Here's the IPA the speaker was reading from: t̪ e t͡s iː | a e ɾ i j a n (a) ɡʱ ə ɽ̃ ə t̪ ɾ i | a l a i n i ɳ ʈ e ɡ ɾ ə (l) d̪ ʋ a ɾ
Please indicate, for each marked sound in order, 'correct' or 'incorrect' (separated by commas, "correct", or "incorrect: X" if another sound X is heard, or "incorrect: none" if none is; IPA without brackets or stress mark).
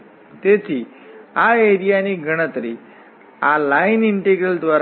incorrect: i, correct